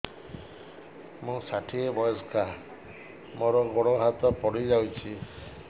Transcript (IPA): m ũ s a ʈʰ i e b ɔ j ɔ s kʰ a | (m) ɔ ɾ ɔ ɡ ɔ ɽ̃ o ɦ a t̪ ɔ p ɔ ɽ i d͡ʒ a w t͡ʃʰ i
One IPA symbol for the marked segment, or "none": m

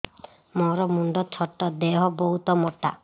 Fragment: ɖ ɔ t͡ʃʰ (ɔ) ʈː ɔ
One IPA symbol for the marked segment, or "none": ɔ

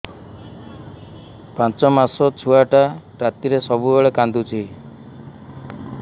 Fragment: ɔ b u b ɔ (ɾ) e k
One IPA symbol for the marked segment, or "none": ɭ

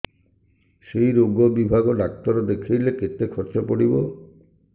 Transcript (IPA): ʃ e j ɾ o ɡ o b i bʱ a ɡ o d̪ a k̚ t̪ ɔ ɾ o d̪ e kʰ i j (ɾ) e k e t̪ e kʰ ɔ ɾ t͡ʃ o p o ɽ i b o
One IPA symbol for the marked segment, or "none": l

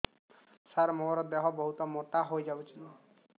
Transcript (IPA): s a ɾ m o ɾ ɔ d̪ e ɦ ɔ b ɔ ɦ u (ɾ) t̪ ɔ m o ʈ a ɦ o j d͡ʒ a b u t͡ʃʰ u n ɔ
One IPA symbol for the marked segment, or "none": none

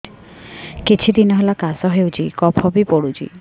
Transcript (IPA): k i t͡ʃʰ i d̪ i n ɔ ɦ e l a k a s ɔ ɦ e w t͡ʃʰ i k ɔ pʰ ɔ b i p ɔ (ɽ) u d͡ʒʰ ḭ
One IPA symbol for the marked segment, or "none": ɽ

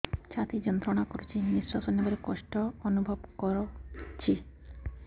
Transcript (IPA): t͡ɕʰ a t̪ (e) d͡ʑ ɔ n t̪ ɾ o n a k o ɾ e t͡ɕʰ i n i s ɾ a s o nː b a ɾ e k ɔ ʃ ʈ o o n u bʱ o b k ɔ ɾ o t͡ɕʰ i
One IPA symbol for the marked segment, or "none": i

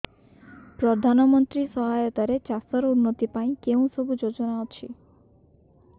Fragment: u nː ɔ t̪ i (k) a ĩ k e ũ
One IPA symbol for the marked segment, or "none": p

